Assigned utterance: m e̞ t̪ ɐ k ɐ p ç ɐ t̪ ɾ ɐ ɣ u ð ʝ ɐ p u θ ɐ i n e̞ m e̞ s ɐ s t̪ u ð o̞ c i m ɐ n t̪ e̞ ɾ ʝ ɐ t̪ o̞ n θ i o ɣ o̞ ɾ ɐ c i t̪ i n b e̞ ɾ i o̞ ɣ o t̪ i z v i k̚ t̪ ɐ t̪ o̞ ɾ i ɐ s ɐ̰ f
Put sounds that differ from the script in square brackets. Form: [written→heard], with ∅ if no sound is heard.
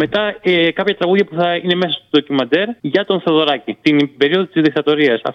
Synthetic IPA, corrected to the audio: m e̞ t̪ ɐ k ɐ p ç ɐ t̪ ɾ ɐ ɣ u ð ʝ ɐ p u θ ɐ i n e̞ m e̞ s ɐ s t̪ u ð o̞ c i m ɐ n [t̪→d̪] e̞ ɾ ʝ ɐ t̪ o̞ n θ [i→e] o [ɣ→ð] o̞ ɾ ɐ c i t̪ i n b e̞ ɾ i o̞ [ɣ→ð] o t̪ i z [v→ð] i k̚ t̪ ɐ t̪ o̞ ɾ i ɐ s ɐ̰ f